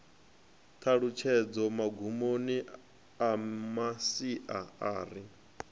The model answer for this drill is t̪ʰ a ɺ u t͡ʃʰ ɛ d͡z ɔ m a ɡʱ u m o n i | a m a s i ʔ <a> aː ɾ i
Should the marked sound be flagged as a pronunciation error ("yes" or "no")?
no